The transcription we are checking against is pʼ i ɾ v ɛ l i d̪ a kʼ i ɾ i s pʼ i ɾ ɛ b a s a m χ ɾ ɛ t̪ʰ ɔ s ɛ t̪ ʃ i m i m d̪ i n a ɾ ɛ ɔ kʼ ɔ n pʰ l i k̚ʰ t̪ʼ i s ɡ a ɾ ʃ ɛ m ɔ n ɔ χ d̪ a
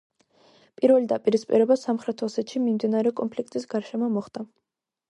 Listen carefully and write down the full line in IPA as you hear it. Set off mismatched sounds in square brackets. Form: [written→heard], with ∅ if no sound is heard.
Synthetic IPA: pʼ i ɾ v ɛ l i d̪ a [kʼ→pʼ] i ɾ i s pʼ i ɾ ɛ b a s a m χ ɾ ɛ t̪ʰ ɔ s ɛ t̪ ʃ i m i m d̪ i n a ɾ ɛ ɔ kʼ ɔ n pʰ l i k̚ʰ t̪ʼ i s ɡ a ɾ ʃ ɛ m ɔ [n→m] ɔ χ d̪ a